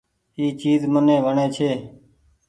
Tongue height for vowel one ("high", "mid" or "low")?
high